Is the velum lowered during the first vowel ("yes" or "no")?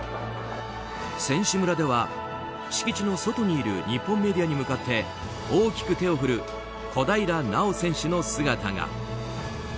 yes